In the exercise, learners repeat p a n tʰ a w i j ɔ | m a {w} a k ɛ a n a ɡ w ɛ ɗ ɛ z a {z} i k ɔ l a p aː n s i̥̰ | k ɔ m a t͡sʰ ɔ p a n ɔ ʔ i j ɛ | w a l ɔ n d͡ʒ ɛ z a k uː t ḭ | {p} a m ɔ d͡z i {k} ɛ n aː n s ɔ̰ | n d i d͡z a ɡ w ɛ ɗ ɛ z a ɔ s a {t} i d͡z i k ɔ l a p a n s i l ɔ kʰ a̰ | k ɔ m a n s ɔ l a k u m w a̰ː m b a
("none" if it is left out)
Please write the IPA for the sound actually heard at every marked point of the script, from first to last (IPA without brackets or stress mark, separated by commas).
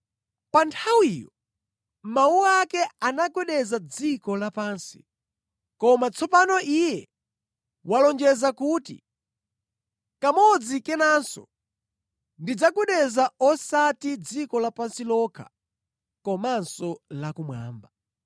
u, d͡z, k, k, t